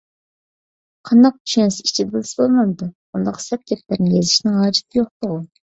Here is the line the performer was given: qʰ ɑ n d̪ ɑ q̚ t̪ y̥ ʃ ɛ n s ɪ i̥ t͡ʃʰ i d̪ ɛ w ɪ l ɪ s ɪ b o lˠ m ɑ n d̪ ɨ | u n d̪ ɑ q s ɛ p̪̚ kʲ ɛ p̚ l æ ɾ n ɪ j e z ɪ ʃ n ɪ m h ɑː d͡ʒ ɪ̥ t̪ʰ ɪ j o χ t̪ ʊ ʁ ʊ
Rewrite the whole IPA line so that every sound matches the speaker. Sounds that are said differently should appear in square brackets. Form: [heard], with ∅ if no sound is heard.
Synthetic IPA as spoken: qʰ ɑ n d̪ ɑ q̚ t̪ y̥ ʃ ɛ n s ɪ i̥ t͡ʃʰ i d̪ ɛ [b] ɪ l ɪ s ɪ b o lˠ m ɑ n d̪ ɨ | u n d̪ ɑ q s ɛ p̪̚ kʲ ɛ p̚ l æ ɾ n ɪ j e z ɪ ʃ n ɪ [ŋ] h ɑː d͡ʒ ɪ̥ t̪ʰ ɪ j o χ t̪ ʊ ʁ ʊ